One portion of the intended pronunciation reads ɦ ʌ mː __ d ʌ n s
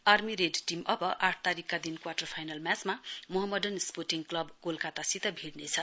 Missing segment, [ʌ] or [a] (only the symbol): ʌ